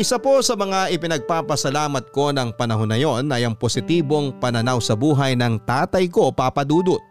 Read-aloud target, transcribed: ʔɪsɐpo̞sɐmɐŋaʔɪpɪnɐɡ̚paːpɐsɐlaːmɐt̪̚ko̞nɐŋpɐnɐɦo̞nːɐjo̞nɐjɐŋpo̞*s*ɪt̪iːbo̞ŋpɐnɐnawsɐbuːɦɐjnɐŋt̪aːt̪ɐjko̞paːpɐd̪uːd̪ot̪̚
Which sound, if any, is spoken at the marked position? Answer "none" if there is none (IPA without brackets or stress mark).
s